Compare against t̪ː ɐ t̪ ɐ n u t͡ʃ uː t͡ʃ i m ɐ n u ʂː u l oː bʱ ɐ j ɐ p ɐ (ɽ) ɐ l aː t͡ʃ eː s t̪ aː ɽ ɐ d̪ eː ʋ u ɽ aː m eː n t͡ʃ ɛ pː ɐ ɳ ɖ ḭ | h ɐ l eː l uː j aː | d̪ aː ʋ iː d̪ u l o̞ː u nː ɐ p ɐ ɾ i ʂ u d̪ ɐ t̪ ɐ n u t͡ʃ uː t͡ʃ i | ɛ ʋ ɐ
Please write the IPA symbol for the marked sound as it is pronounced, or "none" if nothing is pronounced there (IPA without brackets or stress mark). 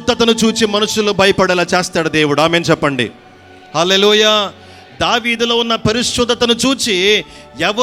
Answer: ɽ